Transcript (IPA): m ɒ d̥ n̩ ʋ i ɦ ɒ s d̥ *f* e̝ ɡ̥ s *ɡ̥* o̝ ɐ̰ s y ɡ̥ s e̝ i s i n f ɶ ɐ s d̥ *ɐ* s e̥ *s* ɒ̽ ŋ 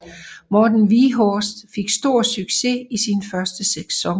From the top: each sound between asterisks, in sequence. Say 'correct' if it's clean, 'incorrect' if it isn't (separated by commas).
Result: correct, incorrect, incorrect, correct